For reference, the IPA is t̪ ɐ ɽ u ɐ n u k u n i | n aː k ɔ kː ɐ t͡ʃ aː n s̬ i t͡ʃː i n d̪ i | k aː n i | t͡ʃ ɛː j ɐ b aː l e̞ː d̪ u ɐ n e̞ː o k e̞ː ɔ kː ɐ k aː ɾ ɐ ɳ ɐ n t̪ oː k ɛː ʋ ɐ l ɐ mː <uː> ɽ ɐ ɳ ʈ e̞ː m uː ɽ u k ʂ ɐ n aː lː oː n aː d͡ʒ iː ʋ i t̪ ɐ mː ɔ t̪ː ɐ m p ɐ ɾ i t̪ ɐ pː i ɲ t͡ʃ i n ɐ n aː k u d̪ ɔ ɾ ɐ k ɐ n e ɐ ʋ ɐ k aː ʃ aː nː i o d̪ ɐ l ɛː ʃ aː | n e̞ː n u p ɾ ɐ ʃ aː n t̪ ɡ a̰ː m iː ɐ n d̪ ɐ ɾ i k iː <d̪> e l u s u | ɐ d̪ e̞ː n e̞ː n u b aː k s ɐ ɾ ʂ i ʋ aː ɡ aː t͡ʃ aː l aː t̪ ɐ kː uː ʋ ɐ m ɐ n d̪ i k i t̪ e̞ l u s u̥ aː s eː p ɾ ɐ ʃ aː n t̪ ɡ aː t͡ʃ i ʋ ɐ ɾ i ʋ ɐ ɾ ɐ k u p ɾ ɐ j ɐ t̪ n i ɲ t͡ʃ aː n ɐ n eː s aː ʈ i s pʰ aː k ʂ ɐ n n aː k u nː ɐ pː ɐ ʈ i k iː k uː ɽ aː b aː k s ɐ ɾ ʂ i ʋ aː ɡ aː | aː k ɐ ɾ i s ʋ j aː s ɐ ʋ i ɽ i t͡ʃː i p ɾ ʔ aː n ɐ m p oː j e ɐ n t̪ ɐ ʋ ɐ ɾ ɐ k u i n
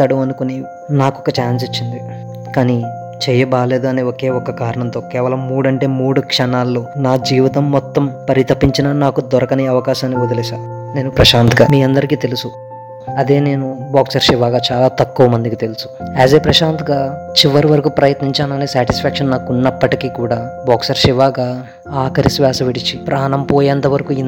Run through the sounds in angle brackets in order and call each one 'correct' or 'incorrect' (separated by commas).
correct, incorrect